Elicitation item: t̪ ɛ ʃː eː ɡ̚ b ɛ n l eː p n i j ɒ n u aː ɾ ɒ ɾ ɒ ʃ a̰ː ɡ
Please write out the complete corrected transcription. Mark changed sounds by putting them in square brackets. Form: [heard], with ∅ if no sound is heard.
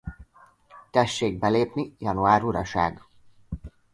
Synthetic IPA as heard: t̪ ɛ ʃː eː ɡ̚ b ɛ [∅] l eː p n i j ɒ n u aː ɾ [u] ɾ ɒ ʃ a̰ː ɡ